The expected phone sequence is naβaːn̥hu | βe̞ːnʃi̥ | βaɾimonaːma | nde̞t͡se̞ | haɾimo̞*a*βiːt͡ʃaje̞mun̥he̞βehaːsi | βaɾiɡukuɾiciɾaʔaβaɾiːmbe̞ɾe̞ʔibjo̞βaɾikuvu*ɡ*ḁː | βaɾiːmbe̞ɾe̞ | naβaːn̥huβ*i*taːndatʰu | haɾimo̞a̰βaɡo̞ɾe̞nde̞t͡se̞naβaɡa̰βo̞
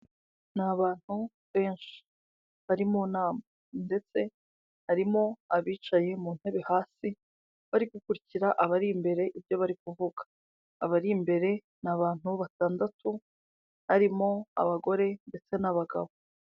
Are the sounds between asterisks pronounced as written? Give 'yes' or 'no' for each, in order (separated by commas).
yes, yes, no